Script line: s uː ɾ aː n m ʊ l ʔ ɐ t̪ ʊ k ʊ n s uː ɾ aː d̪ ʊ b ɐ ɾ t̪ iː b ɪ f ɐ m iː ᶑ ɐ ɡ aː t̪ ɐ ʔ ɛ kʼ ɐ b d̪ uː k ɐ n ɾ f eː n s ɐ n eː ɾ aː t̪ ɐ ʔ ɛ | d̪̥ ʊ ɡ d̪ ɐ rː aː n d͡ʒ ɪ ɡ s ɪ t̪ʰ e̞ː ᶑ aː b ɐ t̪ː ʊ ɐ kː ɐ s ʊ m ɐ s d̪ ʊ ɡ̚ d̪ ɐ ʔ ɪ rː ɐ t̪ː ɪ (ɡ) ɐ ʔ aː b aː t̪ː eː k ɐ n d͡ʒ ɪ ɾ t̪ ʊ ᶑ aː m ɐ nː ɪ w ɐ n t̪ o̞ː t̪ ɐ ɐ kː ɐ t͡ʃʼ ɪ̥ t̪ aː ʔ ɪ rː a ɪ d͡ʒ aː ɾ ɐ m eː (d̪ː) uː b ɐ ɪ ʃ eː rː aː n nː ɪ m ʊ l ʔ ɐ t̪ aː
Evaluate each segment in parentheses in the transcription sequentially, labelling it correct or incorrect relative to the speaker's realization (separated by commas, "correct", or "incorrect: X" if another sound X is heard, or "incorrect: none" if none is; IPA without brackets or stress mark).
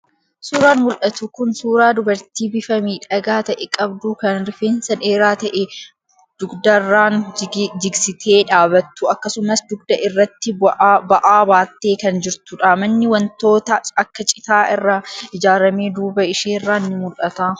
incorrect: b, incorrect: d̪